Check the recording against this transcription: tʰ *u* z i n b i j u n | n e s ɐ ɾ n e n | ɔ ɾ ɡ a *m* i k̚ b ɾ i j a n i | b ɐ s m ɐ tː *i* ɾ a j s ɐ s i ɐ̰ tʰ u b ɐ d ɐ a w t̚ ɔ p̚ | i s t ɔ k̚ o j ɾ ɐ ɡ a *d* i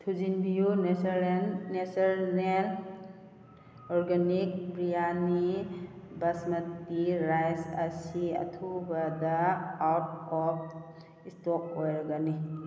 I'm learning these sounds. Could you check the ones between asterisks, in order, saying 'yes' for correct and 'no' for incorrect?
yes, no, yes, no

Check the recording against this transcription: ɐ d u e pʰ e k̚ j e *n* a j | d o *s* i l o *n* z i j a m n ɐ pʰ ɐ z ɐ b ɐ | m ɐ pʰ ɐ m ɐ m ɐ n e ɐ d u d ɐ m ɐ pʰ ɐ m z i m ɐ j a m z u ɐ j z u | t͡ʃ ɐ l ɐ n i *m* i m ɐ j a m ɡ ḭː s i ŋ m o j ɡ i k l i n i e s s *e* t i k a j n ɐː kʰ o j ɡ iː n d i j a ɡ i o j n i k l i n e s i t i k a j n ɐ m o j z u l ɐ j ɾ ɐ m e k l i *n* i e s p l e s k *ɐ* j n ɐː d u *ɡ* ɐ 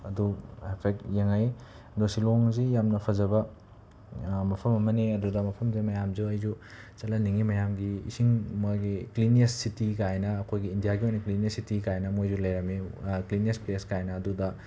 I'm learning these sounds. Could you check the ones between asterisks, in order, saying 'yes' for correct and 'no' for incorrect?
no, yes, no, no, no, yes, no, no

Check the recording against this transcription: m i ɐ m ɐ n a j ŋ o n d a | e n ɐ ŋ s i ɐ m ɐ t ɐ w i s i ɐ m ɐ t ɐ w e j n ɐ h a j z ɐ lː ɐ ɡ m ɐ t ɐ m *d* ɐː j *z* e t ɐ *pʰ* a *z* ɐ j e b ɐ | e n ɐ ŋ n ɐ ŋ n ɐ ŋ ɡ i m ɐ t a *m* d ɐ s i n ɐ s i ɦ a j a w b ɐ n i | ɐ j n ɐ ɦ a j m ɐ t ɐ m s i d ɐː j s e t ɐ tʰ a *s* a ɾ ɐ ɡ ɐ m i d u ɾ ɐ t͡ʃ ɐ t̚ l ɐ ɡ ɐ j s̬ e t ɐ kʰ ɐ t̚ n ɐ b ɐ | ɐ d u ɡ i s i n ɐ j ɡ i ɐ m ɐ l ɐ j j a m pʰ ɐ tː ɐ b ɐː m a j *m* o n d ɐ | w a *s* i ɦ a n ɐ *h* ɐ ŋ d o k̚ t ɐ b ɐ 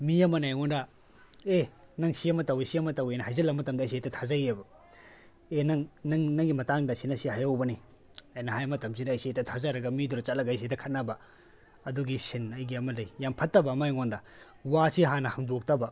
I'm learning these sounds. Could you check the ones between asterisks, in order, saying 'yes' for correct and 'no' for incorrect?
yes, no, no, yes, no, no, no, yes, yes

